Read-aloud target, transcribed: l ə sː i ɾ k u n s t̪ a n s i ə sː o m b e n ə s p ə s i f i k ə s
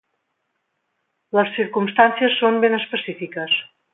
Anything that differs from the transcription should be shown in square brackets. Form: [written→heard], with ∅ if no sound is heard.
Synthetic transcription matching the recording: l ə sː i ɾ k u [n→m] s t̪ a n s i ə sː o m b e n ə s p ə s i f i k ə s